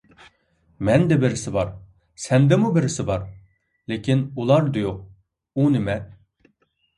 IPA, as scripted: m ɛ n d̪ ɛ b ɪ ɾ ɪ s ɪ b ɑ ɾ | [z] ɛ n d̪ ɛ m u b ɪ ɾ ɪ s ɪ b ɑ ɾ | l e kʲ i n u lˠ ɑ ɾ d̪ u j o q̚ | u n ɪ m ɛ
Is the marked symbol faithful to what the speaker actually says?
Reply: no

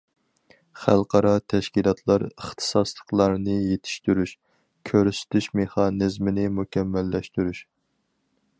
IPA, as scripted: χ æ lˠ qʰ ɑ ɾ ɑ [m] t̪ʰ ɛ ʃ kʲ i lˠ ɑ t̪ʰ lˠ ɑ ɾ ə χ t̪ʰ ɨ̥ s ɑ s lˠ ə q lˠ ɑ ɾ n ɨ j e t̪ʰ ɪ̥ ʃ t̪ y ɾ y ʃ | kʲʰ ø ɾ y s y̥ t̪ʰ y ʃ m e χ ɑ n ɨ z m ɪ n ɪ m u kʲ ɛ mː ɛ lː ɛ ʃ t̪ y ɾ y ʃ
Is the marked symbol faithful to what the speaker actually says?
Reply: no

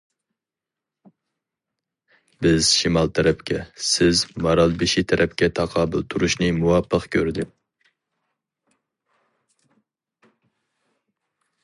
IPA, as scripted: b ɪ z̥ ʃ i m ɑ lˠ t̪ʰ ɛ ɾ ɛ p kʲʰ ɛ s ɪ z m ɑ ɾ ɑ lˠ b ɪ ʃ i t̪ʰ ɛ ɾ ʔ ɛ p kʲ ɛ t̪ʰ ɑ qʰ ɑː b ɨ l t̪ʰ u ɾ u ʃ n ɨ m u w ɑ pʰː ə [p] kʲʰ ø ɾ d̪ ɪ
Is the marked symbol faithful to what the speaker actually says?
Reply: no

